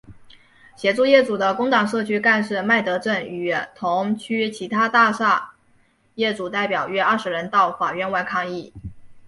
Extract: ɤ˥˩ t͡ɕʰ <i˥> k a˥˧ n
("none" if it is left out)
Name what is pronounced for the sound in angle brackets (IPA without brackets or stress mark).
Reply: y˥